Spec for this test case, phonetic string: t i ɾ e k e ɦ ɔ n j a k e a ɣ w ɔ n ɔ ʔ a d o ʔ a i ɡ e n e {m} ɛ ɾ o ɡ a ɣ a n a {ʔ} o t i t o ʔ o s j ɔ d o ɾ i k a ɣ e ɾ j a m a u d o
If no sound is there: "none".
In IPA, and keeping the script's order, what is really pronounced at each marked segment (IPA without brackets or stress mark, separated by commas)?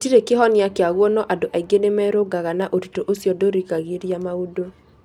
m, ʔ